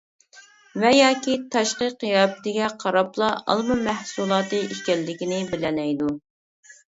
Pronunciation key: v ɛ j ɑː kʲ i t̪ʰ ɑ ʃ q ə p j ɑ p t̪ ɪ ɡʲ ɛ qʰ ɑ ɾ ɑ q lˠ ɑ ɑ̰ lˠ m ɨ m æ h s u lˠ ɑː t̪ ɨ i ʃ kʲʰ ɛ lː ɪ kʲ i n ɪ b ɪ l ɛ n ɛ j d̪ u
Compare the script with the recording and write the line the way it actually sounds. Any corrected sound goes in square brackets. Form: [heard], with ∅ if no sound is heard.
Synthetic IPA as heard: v ɛ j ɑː kʲ i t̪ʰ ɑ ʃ q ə [q] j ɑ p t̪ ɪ ɡʲ ɛ qʰ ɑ ɾ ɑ [p] lˠ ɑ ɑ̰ lˠ m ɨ m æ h s u lˠ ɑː t̪ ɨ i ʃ [kʲ] ɛ lː ɪ kʲ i n ɪ b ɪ l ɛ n ɛ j d̪ u